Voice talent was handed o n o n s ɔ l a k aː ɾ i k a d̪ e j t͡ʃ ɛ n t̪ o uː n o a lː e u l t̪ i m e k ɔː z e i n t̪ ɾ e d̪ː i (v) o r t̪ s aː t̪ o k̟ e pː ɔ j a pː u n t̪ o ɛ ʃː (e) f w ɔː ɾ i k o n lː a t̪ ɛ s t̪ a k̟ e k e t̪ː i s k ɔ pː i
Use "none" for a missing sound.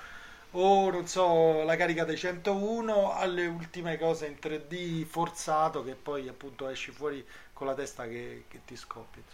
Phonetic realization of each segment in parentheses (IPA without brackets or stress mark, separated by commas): f, i